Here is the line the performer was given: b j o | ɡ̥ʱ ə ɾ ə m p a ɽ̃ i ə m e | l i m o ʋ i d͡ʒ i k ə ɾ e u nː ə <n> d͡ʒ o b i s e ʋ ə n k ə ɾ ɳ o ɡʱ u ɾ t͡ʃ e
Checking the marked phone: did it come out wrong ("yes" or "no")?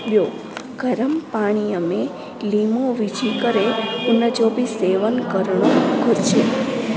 yes